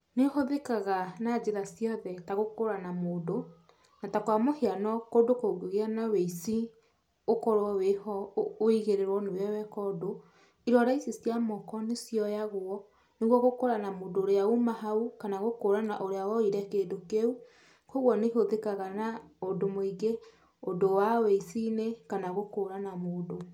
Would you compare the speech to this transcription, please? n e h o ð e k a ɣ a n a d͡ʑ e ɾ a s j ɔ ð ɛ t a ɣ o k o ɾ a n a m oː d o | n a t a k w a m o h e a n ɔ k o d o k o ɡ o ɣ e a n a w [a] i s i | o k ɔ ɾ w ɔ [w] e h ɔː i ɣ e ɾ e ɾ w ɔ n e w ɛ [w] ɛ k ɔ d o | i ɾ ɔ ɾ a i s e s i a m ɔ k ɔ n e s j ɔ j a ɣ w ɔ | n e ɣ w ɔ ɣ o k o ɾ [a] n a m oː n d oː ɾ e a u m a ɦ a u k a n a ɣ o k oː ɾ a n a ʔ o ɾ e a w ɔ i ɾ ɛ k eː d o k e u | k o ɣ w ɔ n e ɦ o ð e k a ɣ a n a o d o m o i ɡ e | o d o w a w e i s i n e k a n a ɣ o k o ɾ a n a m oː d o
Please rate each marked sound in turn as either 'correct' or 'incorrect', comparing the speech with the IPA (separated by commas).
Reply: incorrect, correct, correct, correct